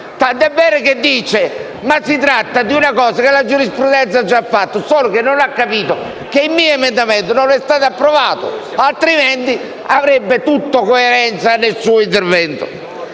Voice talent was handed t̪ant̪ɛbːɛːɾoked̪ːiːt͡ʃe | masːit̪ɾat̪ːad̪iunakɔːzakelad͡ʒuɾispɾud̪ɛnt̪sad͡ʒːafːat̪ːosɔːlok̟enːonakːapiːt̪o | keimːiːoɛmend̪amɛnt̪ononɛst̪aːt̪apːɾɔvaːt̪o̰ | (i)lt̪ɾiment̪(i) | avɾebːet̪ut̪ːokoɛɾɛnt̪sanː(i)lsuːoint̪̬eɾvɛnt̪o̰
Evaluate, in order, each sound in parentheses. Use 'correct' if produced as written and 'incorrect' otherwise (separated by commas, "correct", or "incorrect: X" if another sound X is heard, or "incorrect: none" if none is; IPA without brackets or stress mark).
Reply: incorrect: a, correct, incorrect: e